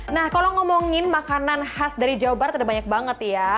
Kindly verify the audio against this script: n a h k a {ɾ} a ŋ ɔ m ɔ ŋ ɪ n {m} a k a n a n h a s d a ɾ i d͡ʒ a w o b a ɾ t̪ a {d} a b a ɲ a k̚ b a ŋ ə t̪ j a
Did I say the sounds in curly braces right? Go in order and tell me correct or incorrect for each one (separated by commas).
incorrect, correct, correct